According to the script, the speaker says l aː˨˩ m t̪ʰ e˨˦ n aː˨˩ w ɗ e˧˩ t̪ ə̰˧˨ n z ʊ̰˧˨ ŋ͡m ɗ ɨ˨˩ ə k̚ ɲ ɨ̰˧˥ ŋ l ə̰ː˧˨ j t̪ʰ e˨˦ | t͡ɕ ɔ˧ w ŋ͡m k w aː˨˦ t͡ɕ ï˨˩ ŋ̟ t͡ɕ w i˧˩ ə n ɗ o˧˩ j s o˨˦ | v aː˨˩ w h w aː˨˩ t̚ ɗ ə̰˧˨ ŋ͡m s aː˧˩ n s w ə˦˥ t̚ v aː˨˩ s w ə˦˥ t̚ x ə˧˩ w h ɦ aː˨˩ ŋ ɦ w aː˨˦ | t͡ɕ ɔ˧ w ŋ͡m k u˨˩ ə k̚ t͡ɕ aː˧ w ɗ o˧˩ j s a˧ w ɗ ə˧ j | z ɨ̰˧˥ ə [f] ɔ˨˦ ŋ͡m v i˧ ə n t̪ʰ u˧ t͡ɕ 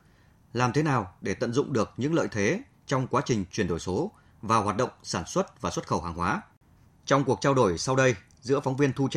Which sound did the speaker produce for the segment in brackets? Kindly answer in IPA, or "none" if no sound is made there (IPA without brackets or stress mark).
f